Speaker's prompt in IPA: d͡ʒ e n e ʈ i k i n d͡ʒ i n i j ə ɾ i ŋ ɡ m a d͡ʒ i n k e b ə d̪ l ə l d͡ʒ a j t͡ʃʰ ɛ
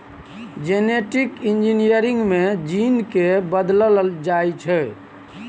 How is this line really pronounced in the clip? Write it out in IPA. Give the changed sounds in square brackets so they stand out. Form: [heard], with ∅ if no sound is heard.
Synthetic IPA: d͡ʒ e n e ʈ i k i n d͡ʒ i n i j ə ɾ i ŋ ɡ m [e] d͡ʒ i n k e b ə d̪ l ə l d͡ʒ a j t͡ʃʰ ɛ

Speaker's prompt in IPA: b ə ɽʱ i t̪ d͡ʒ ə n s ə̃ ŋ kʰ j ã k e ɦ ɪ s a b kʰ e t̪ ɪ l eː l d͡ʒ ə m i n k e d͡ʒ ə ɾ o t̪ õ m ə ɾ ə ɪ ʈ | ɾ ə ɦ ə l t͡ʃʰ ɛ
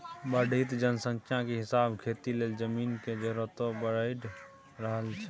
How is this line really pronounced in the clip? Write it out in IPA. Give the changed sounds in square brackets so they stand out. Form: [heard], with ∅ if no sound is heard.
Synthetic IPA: b ə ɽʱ i t̪ d͡ʒ ə n s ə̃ ŋ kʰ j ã k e ɦ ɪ s a b kʰ e t̪ [i] l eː l d͡ʒ ə m i n k e d͡ʒ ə ɾ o t̪ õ [b] ə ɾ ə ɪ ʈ | ɾ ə ɦ ə l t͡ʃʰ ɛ

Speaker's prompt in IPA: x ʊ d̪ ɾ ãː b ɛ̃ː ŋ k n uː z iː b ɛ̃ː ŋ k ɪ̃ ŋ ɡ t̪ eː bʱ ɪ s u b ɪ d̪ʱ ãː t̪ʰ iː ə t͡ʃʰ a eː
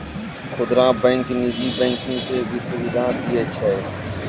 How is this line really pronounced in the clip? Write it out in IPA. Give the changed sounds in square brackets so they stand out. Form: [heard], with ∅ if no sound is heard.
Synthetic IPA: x ʊ d̪ ɾ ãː b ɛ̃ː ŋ k n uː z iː b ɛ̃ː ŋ k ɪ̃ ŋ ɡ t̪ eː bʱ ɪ s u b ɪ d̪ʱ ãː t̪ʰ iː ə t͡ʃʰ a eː

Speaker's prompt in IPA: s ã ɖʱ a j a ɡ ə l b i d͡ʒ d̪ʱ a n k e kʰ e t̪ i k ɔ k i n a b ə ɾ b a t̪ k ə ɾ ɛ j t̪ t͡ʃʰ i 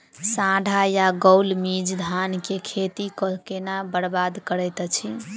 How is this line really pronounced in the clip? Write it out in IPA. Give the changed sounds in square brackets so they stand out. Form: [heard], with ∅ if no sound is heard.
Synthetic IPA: s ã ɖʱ a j a ɡ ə l [m] i d͡ʒ d̪ʱ a n k e kʰ e t̪ i k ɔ k [e] n a b ə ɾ b a [d̪] k ə ɾ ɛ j t̪ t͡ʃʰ i

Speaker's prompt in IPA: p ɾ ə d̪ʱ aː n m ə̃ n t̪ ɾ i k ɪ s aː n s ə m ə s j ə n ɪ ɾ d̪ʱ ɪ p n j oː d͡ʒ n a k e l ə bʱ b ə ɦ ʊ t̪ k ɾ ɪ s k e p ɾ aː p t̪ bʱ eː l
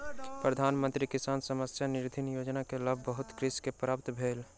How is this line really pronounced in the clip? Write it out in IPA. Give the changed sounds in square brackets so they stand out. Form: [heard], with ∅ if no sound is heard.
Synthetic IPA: p ɾ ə d̪ʱ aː n m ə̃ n t̪ ɾ i k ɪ s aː n s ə m ə s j [a] n ɪ ɾ d̪ʱ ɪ [∅] n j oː d͡ʒ n a k e l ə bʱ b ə ɦ ʊ t̪ k ɾ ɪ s k e p ɾ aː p t̪ bʱ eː l

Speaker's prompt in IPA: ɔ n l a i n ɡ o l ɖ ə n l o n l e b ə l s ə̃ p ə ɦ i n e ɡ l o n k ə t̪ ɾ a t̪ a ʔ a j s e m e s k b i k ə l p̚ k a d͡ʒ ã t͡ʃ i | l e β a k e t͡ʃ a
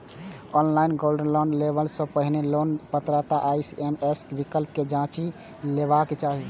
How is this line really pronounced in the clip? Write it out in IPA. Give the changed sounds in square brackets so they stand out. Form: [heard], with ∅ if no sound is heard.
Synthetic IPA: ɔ n l a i n ɡ o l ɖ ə n l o n l e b ə l s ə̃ p ə ɦ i n e [∅] l o n [p] ə t̪ ɾ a t̪ a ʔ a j s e m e s k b i k ə l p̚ k [e] d͡ʒ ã t͡ʃ i | l e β a k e t͡ʃ a

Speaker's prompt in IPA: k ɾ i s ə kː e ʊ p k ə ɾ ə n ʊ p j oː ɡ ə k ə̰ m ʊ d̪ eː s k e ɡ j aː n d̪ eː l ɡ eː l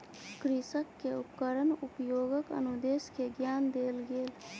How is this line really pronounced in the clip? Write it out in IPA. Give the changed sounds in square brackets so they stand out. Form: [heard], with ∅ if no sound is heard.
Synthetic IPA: k ɾ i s ə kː e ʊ p k ə ɾ ə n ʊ p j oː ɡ ə k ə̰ [n] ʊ d̪ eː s k e ɡ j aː n d̪ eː l ɡ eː l

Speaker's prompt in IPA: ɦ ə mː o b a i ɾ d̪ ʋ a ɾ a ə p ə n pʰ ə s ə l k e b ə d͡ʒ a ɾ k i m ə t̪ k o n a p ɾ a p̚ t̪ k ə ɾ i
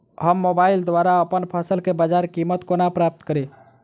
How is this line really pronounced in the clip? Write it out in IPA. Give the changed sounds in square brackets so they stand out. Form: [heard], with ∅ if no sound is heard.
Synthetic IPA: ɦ ə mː o b a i [l] d̪ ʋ a ɾ a ə p ə n pʰ ə s ə l k e b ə d͡ʒ a ɾ k i m ə t̪ k o n a p ɾ a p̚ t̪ k ə ɾ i

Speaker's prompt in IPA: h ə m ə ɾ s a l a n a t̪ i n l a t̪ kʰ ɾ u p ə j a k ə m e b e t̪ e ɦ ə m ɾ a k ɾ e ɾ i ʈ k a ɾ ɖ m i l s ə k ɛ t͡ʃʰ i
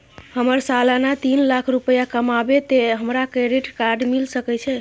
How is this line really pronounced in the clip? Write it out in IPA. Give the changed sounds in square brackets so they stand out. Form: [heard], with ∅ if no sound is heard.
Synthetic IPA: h ə m ə ɾ s a l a n a t̪ i n l a [∅] kʰ ɾ u p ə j a k ə m [a] b e t̪ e ɦ ə m ɾ a k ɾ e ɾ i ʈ k a ɾ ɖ m i l s ə k ɛ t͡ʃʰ [ɛ]

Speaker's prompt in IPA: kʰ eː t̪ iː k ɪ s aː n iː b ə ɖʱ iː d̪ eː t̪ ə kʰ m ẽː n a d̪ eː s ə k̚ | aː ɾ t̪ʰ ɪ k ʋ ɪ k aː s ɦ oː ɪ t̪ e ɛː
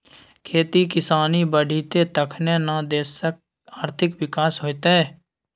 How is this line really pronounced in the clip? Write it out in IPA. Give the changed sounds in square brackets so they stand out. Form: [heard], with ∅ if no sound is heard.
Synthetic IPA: kʰ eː t̪ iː k ɪ s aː n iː b ə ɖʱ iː [t̪] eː t̪ ə kʰ [n] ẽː n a d̪ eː s ə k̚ | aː ɾ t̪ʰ ɪ k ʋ ɪ k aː s ɦ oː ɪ t̪ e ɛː

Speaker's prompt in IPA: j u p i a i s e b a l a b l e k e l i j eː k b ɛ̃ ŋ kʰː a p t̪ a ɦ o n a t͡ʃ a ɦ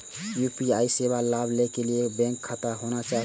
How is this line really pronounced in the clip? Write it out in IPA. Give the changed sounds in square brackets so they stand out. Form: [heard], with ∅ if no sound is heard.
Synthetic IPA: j u p i a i s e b a l a b l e k e l i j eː k b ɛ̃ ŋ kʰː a [∅] t̪ a ɦ o n a t͡ʃ a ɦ

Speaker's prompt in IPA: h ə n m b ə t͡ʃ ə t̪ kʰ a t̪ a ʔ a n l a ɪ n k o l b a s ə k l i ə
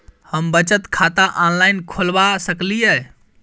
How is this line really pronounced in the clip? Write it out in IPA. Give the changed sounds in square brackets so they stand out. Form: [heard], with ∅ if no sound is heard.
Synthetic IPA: h ə [∅] m b ə t͡ʃ ə t̪ kʰ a t̪ a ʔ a n l a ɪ n [kʰ] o l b a s ə k l i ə

